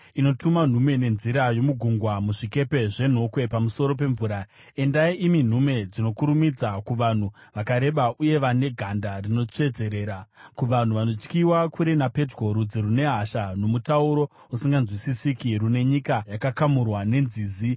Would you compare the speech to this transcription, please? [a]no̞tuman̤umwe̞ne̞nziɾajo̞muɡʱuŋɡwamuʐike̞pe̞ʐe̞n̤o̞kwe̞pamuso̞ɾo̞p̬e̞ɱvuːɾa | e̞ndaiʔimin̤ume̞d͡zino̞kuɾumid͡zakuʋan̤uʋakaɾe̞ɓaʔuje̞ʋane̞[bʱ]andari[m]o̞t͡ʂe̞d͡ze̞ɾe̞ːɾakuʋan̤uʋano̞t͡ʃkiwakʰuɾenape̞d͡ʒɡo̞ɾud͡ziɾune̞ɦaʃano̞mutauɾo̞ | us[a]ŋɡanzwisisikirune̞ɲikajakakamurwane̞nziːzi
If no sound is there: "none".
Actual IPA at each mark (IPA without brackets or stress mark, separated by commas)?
i, ɡʱ, n, i